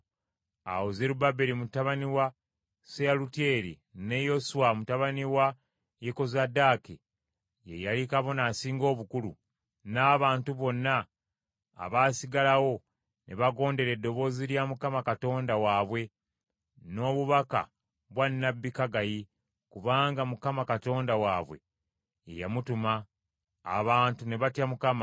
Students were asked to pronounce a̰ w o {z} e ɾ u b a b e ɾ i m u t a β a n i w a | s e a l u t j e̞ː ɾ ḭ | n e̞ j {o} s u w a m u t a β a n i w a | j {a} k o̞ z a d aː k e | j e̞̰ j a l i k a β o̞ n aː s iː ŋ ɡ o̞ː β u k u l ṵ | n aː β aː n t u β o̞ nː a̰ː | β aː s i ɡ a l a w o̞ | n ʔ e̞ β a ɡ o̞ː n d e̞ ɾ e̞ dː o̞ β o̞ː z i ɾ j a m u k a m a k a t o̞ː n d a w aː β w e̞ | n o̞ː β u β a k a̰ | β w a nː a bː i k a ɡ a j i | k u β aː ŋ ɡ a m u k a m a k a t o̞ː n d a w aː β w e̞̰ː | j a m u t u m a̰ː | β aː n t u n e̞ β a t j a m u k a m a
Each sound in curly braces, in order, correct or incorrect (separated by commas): correct, correct, incorrect